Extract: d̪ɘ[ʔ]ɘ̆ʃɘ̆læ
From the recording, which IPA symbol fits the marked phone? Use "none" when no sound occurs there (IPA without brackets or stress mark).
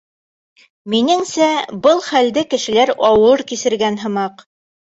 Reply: k